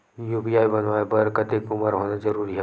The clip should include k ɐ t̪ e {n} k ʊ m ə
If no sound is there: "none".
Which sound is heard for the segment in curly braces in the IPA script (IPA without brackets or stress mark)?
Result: none